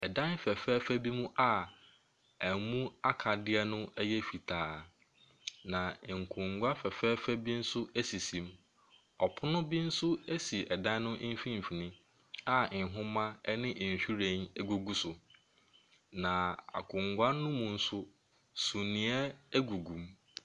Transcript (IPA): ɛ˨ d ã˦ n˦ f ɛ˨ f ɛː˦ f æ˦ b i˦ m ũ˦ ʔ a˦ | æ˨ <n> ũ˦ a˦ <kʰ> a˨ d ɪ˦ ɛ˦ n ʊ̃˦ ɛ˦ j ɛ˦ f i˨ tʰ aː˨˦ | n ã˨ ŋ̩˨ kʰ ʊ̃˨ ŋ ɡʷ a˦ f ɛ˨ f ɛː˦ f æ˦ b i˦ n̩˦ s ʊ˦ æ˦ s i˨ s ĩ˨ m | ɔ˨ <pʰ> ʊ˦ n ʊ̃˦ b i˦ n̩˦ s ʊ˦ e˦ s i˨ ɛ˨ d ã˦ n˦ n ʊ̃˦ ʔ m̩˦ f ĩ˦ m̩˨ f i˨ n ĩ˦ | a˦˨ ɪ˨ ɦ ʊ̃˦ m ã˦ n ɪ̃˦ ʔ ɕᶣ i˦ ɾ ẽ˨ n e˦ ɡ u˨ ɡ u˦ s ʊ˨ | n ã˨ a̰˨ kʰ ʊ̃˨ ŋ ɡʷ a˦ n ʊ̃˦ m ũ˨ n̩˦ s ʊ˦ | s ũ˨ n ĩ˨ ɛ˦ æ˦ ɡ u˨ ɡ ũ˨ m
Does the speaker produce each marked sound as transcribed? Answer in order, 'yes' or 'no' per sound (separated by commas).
no, yes, yes